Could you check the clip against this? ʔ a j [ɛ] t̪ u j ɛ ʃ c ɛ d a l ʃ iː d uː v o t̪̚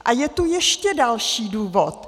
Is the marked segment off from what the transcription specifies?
no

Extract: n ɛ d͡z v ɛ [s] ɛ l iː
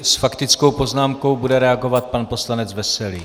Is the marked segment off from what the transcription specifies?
no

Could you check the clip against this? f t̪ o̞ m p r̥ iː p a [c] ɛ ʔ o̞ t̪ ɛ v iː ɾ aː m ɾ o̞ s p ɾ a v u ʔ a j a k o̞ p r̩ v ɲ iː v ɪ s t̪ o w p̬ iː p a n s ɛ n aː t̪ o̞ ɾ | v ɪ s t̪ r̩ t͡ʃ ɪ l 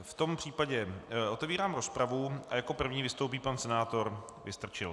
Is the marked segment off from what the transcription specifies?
yes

